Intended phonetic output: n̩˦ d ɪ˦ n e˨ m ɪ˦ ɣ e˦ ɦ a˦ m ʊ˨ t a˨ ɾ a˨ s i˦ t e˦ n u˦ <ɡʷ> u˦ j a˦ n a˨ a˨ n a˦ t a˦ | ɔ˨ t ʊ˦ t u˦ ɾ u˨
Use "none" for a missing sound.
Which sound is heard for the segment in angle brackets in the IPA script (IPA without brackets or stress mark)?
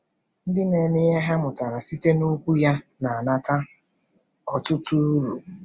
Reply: kʷ